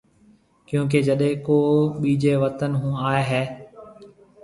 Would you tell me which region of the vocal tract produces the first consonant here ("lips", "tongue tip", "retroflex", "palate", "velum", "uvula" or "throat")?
velum